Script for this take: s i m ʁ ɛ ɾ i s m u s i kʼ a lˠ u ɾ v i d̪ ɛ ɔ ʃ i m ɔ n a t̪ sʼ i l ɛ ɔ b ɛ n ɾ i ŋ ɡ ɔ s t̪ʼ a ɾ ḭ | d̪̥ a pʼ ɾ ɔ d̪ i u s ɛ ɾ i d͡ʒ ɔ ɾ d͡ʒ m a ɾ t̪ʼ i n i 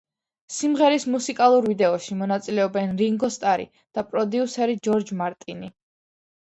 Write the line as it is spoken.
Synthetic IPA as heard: s i m ʁ ɛ ɾ i s m u s i kʼ a lˠ u ɾ v i d̪ ɛ ɔ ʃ i m ɔ n a t̪ sʼ i l ɛ ɔ b ɛ n ɾ i ŋ ɡ ɔ s t̪ʼ a ɾ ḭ | d̪̥ a pʼ ɾ ɔ d̪ i u s ɛ ɾ i d͡ʒ ɔ ɾ d͡ʒ m a ɾ t̪ʼ i n i